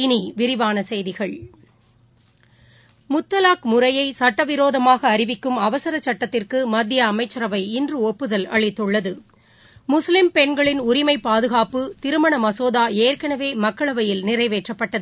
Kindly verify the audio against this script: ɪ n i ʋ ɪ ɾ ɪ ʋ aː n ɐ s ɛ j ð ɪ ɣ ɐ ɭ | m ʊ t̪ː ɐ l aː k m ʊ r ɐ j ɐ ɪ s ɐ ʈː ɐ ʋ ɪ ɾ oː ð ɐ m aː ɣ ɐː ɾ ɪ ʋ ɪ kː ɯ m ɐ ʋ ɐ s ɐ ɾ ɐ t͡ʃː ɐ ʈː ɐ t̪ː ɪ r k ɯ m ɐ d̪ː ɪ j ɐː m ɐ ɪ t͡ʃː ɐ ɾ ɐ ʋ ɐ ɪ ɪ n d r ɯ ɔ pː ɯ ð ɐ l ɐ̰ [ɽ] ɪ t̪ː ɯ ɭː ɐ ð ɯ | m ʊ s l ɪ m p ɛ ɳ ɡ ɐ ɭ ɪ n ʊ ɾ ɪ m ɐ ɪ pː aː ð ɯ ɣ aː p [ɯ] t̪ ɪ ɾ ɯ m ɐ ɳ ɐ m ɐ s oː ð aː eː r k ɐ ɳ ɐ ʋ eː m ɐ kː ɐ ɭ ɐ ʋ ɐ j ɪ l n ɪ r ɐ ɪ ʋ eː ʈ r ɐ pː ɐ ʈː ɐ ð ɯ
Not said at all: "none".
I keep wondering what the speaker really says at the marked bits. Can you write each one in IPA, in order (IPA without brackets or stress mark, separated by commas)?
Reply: ɭ, ɯ